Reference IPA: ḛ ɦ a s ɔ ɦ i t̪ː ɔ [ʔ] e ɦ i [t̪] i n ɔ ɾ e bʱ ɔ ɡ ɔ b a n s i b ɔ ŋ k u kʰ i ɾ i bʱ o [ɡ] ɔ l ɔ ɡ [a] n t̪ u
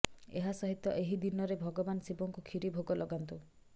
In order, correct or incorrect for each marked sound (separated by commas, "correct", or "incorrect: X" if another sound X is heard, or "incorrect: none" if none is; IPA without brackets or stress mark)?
correct, incorrect: d̪, correct, correct